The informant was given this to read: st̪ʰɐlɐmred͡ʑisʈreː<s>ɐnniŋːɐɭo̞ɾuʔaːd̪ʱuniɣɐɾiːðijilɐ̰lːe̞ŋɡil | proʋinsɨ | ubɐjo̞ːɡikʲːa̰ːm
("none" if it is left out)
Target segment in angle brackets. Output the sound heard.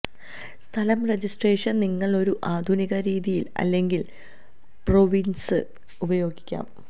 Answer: ʂ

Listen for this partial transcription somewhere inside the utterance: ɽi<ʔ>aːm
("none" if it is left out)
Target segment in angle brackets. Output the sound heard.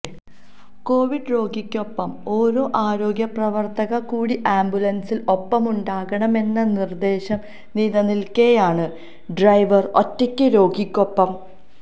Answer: ʔ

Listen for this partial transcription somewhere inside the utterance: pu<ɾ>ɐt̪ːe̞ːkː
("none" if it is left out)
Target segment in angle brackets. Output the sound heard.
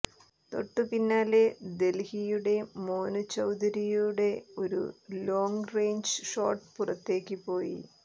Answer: r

